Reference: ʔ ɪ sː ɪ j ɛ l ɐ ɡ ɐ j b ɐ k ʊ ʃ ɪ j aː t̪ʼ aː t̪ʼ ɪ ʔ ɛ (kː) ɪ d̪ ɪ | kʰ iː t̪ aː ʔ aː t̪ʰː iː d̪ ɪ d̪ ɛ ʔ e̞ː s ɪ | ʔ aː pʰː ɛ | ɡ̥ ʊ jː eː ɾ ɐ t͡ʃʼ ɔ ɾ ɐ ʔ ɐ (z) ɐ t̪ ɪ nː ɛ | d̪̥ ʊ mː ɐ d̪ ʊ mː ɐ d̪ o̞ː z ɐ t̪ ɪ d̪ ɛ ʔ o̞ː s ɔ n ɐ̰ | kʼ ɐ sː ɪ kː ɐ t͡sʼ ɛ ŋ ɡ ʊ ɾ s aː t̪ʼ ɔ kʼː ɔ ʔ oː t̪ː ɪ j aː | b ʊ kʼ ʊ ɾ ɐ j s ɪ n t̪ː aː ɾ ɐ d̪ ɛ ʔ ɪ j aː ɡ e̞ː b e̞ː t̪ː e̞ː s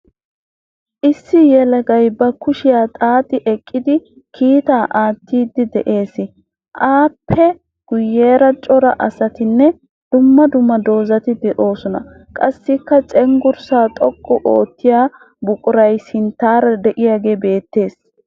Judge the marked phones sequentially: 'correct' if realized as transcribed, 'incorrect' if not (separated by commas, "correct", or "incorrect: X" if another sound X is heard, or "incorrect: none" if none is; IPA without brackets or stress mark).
incorrect: kʼː, incorrect: s